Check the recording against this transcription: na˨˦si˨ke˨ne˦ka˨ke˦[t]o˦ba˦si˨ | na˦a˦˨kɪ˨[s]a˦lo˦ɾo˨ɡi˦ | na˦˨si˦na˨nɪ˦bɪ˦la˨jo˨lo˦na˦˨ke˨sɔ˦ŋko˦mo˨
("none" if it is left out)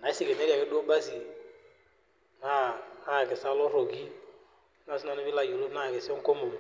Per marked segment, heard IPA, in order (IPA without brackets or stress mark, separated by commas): d, s